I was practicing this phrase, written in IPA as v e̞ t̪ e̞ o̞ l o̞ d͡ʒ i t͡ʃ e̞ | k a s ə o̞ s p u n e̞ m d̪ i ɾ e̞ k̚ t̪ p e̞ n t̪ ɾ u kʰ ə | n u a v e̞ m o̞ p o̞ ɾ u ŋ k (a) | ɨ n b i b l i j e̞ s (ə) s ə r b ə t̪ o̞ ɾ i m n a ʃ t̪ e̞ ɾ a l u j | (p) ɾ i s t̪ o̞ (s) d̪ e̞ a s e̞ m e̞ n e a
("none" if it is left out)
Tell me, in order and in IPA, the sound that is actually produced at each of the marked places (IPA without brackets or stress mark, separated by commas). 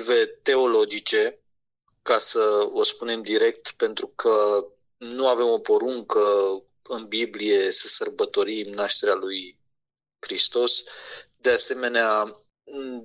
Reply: ə, ə, k, s